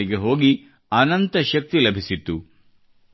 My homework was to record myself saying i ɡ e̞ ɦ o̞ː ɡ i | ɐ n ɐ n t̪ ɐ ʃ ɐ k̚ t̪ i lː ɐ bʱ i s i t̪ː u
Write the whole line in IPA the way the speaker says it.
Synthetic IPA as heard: i ɡ e̞ ɦ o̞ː ɡ i | ɐ n ɐ n t̪ ɐ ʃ ɐ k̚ t̪ i l ɐ bʱ i s i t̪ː u